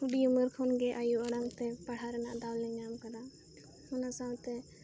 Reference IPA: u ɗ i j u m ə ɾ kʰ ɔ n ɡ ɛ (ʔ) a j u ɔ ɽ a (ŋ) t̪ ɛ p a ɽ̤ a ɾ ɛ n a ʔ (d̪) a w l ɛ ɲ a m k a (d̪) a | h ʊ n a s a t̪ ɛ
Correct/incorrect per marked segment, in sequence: correct, correct, correct, correct

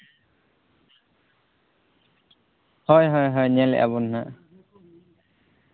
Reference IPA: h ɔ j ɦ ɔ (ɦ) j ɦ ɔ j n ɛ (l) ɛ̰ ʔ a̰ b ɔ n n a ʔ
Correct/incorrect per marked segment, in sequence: incorrect: none, correct

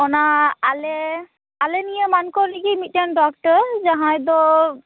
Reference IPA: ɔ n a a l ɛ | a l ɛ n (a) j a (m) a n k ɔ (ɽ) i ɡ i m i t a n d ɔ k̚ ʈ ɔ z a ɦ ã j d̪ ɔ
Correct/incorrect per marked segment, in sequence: incorrect: i, correct, incorrect: l

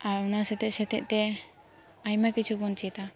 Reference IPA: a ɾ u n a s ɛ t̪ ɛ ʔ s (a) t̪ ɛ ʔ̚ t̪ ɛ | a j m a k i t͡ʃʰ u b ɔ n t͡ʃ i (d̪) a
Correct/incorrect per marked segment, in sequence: incorrect: ɛ, incorrect: t̪

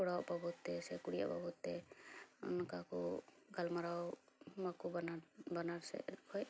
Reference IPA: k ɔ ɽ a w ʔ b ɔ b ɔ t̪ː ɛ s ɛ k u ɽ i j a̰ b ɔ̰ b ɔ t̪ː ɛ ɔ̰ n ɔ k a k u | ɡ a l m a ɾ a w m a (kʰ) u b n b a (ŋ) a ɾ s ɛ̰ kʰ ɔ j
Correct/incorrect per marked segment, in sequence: incorrect: k, incorrect: n

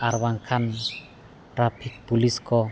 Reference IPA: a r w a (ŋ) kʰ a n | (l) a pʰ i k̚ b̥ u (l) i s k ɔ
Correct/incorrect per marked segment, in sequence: correct, incorrect: r, correct

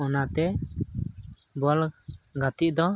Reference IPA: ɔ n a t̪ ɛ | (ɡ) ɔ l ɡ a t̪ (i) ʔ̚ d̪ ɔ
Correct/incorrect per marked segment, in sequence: incorrect: b, correct

